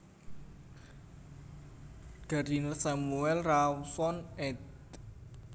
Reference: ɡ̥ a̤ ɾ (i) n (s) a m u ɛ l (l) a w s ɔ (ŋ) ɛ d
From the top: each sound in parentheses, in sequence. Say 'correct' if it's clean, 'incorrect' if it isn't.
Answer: correct, correct, incorrect, incorrect

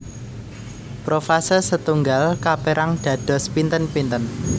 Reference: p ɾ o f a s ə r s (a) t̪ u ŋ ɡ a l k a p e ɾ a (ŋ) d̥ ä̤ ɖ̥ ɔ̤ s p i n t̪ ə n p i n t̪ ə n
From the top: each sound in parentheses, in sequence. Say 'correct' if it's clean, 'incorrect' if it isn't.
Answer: incorrect, correct

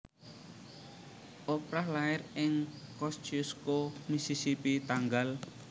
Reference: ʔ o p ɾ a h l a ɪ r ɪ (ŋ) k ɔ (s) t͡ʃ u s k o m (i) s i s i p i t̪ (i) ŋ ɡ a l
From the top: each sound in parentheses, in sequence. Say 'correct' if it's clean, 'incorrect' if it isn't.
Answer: correct, correct, correct, incorrect

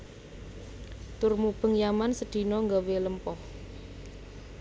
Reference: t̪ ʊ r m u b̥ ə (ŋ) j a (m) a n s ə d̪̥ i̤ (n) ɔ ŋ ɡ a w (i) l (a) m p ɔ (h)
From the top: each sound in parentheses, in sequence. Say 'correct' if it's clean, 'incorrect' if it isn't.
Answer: correct, correct, correct, incorrect, incorrect, correct

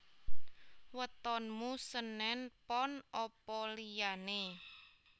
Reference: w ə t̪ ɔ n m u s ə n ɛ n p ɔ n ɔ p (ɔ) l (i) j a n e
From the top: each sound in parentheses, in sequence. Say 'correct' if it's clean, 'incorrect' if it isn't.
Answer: correct, correct

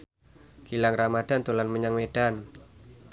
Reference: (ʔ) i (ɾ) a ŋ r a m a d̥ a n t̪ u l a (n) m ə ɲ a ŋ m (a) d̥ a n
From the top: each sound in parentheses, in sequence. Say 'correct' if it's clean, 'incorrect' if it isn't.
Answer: incorrect, incorrect, correct, incorrect

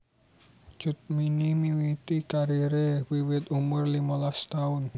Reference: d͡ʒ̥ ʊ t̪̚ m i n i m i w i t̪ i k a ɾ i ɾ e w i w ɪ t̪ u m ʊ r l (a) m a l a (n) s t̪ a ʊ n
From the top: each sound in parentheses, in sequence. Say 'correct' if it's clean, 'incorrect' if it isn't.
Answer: incorrect, incorrect

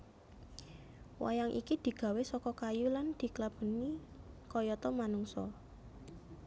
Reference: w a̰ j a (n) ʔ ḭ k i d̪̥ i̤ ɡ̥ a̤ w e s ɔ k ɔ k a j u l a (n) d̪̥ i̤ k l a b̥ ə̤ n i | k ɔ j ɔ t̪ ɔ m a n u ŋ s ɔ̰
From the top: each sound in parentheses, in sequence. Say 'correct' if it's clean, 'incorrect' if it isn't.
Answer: incorrect, correct

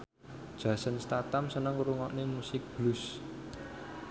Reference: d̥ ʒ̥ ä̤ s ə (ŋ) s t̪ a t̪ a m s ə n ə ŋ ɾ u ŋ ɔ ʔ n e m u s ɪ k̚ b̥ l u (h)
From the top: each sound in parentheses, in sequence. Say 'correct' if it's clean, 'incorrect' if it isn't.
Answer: incorrect, incorrect

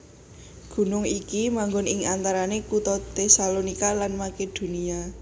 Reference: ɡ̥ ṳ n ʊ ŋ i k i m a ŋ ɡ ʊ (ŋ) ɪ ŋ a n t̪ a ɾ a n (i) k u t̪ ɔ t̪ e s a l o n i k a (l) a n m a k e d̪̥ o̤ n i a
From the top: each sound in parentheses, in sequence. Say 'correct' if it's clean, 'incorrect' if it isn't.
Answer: incorrect, incorrect, correct

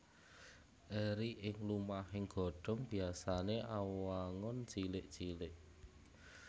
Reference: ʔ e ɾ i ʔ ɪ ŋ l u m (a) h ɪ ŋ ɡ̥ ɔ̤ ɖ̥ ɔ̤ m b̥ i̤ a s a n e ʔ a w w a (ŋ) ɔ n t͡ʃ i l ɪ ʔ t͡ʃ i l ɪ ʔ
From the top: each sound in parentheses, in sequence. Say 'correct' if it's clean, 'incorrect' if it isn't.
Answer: correct, correct

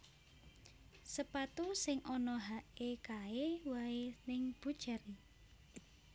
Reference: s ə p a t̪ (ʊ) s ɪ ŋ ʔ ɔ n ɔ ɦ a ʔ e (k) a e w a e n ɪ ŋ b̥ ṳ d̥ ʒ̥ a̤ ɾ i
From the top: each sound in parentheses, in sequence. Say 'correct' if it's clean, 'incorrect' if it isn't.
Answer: incorrect, correct

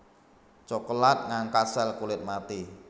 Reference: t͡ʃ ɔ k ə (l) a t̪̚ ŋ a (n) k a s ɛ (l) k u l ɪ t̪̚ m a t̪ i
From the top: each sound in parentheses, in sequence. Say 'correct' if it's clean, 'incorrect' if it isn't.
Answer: correct, incorrect, correct

